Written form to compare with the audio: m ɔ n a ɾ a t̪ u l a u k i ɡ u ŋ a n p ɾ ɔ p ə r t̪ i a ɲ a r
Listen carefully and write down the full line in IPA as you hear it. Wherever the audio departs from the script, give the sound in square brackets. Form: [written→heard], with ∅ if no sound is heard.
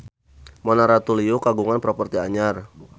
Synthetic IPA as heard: m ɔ n a ɾ a t̪ u l [a→i] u k [i→a] ɡ u ŋ a n p ɾ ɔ p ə r t̪ i a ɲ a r

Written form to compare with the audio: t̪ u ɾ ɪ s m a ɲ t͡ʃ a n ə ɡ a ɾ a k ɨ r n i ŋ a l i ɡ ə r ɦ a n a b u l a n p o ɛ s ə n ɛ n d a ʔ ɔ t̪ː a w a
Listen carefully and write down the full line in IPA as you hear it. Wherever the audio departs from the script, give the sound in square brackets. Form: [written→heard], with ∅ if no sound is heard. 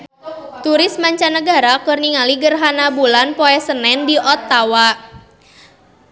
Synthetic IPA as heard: t̪ u ɾ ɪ s m a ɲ t͡ʃ a n ə ɡ a ɾ a k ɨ r n i ŋ a l i ɡ ə r ɦ a n a b u l a n p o ɛ s ə n ɛ n d [a→i] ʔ ɔ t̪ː a w a

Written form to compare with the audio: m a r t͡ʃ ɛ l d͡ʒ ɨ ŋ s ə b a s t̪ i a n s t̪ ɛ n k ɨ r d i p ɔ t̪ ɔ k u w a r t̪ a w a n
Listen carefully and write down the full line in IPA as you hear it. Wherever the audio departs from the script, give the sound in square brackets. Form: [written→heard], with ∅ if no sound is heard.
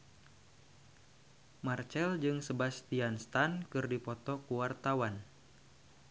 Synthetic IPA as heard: m a r t͡ʃ ɛ l d͡ʒ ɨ ŋ s ə b a s t̪ i a n s t̪ [ɛ→a] n k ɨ r d i p ɔ t̪ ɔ k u w a r t̪ a w a n

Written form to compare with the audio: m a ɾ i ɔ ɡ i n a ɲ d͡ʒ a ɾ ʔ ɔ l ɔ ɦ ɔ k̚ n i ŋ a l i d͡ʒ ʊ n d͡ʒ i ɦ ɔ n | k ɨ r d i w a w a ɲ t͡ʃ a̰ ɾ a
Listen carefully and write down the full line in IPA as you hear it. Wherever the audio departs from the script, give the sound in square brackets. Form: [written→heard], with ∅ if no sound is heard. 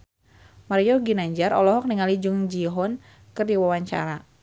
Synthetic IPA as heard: m a ɾ i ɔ ɡ i n a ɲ d͡ʒ a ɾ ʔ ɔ l ɔ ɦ ɔ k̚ n i ŋ a l i d͡ʒ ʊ [n→ŋ] d͡ʒ i ɦ ɔ n | k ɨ r d i w a w a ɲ t͡ʃ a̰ ɾ a

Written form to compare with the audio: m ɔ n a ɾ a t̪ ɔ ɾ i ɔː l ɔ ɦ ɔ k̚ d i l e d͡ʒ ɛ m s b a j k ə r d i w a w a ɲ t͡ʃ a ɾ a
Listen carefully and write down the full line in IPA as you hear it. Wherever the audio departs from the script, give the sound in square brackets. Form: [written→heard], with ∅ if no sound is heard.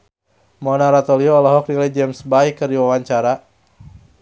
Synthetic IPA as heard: m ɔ n a ɾ a t̪ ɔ [ɾ→l] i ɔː l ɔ ɦ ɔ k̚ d i l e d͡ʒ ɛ m s b a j k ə r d i w a w a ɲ t͡ʃ a ɾ a

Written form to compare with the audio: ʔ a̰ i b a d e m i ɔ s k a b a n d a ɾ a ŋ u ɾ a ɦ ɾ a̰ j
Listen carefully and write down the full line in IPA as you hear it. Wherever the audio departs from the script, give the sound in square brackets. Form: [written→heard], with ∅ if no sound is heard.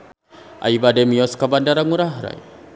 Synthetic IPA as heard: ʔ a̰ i b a d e m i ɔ s k a b a n d a ɾ a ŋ u ɾ a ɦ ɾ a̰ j

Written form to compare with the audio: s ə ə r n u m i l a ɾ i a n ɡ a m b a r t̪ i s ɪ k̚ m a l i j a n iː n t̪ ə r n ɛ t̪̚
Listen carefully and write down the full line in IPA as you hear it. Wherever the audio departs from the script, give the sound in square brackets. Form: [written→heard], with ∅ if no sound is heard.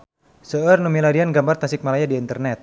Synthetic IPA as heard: s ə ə r n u m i l a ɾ i a n ɡ a m b a r t̪ [i→a] s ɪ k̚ m a l [i→a] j a [n→d] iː n t̪ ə r n ɛ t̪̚

